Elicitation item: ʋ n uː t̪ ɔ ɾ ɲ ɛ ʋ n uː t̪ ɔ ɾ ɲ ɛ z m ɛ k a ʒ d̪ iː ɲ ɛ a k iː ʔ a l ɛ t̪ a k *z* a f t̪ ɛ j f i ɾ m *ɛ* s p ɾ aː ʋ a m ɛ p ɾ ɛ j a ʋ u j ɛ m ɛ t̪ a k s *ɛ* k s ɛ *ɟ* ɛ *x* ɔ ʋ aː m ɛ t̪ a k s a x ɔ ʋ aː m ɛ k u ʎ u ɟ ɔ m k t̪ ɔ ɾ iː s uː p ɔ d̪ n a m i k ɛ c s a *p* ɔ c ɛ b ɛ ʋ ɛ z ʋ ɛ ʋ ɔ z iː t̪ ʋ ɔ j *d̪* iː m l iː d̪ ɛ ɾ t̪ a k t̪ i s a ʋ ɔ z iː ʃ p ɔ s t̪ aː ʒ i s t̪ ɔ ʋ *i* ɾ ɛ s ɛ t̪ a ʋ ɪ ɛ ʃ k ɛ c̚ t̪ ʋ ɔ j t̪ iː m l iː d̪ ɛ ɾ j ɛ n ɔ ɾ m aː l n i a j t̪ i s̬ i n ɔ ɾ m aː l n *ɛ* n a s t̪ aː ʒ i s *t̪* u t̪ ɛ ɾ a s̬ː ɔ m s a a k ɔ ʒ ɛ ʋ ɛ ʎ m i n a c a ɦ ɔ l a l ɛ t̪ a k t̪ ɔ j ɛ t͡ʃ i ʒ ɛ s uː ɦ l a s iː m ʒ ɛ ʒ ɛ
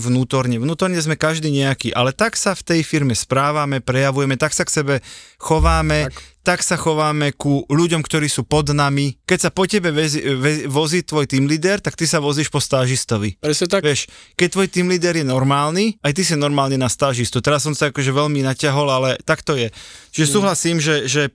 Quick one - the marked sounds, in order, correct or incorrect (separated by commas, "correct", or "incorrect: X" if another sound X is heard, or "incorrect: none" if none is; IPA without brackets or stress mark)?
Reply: incorrect: s, correct, incorrect: a, incorrect: b, correct, correct, incorrect: t̪, correct, incorrect: i, correct